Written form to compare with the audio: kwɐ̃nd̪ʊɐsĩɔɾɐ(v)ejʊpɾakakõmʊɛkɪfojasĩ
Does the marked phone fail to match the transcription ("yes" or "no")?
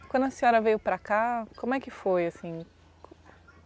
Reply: no